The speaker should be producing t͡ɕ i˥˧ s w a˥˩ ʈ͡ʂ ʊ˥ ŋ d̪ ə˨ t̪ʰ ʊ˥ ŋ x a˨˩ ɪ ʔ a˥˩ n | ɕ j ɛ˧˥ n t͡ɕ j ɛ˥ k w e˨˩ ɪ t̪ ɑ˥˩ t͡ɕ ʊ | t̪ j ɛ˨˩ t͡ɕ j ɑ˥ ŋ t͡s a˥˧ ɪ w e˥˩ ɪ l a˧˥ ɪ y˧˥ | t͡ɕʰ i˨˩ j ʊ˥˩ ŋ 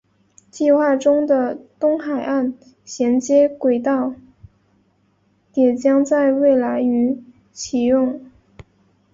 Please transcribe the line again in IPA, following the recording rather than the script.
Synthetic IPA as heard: t͡ɕ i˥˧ x w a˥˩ ʈ͡ʂ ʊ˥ ŋ d̪ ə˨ t̪ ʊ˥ ŋ x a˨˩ ɪ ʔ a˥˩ n | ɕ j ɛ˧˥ n t͡ɕ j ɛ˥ k w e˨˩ ɪ t̪ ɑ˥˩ ʊ | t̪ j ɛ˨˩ t͡ɕ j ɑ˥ ŋ t͡s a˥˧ ɪ w e˥˩ ɪ l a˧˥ ɪ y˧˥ | t͡ɕʰ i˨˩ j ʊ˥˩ ŋ

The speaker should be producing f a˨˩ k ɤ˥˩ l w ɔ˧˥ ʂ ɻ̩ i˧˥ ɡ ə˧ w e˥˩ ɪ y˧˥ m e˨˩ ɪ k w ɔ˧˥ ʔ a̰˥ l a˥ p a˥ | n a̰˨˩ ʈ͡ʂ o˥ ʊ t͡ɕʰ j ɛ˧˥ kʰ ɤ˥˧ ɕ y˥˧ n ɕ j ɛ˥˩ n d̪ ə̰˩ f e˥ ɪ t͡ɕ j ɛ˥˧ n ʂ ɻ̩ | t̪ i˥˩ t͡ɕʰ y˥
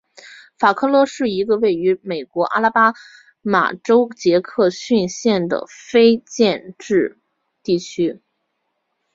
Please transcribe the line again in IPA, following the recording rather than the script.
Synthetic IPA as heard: f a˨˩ kʰ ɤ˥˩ l w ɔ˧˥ ʂ ɻ̩ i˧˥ ɡ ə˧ w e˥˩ ɪ y˧˥ m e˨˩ ɪ k w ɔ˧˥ ʔ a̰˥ l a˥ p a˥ | m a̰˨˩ ʈ͡ʂ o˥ ʊ t͡ɕ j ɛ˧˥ kʰ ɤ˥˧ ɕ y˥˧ n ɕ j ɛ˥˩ n d̪ ə̰˩ f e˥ ɪ t͡ɕ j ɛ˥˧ n ʈ͡ʂ ɻ̩ | t̪ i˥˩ t͡ɕʰ y˥

